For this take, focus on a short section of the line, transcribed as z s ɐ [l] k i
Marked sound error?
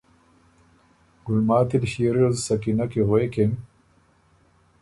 yes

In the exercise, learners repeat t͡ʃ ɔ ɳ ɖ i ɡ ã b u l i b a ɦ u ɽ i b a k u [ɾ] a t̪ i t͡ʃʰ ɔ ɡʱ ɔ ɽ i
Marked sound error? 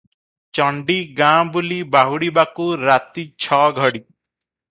no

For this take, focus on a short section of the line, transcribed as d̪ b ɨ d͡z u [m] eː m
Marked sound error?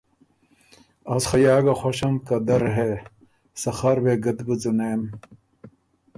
yes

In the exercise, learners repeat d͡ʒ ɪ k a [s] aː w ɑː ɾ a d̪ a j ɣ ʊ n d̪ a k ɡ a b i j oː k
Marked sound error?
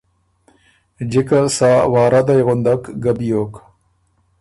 no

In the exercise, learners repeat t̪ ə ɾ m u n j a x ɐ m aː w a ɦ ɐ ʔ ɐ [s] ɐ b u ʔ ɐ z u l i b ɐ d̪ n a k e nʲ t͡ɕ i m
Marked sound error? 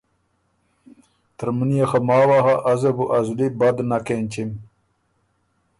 yes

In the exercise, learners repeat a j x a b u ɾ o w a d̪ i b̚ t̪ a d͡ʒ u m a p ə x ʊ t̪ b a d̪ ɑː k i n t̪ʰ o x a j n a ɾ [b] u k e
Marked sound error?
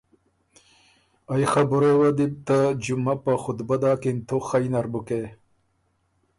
no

